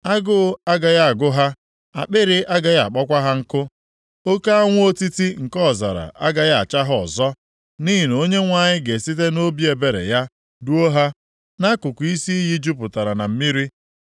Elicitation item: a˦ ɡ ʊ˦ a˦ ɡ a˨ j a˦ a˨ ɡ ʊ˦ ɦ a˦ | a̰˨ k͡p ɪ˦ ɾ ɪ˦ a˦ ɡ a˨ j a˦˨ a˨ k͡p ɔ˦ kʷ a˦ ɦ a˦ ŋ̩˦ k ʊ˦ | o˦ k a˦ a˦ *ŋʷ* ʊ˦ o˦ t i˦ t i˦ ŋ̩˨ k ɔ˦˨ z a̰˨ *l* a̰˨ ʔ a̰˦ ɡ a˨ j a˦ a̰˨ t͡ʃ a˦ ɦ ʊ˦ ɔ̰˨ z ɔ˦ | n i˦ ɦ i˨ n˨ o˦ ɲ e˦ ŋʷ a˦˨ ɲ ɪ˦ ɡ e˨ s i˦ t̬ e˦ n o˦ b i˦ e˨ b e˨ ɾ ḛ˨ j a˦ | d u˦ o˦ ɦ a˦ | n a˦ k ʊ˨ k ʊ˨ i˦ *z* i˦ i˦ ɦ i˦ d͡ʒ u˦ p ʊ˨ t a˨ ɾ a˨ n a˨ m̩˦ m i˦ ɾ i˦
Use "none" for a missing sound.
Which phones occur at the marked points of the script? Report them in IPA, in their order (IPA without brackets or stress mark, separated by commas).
ŋʷ, ɾ, s